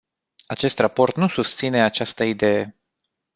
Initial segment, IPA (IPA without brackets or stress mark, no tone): a